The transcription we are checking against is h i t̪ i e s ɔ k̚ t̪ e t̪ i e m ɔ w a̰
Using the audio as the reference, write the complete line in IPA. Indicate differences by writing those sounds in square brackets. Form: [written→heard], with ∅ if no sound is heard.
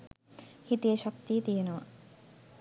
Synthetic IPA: h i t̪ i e [s→ʃ] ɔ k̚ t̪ [e→i] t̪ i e [m→n] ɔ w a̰